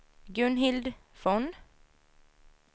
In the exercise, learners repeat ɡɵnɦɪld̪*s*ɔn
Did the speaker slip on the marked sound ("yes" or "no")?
yes